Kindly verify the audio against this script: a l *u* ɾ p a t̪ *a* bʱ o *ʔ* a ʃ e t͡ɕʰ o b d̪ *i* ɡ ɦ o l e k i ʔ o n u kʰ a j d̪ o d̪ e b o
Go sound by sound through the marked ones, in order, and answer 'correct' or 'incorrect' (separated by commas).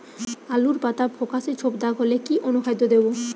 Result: correct, correct, incorrect, incorrect